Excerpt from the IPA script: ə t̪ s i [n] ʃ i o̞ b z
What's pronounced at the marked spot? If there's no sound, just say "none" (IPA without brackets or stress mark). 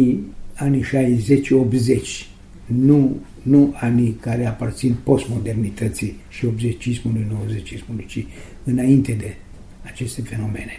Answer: none